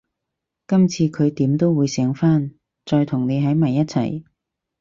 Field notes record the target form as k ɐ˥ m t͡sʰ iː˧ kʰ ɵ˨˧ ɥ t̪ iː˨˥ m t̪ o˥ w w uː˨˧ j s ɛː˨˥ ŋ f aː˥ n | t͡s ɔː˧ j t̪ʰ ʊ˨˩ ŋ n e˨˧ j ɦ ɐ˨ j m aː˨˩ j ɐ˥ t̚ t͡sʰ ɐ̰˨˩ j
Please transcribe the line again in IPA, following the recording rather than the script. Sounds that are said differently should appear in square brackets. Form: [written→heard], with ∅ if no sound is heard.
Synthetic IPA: k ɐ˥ m t͡sʰ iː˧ kʰ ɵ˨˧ ɥ t̪ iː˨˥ m t̪ o˥ w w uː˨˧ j s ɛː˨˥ ŋ f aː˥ n | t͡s ɔː˧ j t̪ʰ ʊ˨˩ ŋ n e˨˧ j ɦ [ɐ˨→ɐ˨˥] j m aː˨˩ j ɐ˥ t̚ t͡sʰ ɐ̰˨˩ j